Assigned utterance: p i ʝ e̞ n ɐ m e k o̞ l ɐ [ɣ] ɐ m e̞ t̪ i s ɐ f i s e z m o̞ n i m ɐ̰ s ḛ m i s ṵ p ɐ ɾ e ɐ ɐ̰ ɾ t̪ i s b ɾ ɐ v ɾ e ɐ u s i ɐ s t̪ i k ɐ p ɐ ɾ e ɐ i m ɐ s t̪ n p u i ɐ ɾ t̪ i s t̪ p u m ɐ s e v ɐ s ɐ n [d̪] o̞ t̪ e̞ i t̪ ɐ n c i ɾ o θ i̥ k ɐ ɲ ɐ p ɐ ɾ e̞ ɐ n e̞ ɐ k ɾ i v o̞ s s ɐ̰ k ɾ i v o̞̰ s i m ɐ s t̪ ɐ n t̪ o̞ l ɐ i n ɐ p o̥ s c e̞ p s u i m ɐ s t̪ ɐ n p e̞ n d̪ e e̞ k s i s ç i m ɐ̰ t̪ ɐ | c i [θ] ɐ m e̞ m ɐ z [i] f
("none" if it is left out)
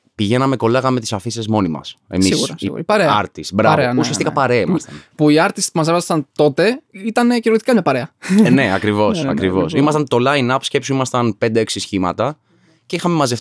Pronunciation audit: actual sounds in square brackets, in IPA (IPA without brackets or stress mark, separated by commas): ɣ, t̪, x, e